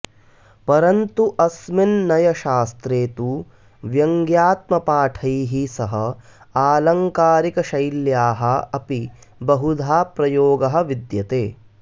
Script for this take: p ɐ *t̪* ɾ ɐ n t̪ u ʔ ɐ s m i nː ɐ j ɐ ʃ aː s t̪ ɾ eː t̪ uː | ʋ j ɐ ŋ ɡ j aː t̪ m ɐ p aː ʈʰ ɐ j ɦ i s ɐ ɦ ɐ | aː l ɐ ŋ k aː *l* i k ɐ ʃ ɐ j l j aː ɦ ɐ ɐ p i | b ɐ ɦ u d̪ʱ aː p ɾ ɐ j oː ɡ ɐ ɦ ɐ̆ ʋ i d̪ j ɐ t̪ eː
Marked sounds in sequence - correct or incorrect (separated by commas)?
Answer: incorrect, incorrect